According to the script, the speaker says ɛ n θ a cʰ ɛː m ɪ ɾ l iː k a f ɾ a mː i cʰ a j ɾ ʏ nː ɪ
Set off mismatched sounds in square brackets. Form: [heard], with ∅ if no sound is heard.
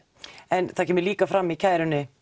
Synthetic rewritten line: ɛ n θ a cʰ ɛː m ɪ ɾ l iː k a f ɾ a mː i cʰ a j ɾ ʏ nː ɪ